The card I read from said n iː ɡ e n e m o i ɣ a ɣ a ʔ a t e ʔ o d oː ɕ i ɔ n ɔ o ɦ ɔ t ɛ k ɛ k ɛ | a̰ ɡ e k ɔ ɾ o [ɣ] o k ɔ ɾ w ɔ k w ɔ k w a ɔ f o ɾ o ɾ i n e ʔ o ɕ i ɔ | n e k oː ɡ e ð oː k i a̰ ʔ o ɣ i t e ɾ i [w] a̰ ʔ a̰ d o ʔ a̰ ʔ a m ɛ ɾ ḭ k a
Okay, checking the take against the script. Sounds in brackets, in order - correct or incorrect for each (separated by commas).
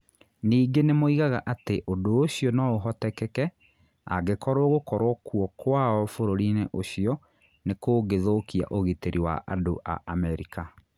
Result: correct, correct